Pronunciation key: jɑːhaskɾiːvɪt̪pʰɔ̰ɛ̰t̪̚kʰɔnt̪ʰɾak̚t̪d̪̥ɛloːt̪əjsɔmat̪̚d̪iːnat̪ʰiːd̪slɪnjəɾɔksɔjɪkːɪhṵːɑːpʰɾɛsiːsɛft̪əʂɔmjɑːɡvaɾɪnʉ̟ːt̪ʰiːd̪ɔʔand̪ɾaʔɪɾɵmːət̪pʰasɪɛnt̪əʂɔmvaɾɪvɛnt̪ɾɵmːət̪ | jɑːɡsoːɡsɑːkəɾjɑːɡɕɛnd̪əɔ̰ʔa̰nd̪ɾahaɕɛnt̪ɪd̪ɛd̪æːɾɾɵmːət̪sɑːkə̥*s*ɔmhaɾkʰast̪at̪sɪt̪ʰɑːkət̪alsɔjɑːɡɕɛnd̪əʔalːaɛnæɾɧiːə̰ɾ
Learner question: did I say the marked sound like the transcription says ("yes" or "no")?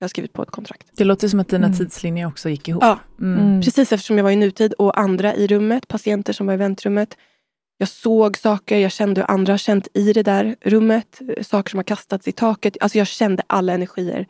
no